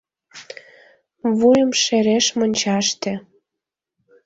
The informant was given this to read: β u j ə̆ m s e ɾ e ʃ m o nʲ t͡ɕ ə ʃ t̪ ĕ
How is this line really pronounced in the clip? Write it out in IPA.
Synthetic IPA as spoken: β u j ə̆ m ʃ e ɾ e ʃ m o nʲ t͡ɕ ɑ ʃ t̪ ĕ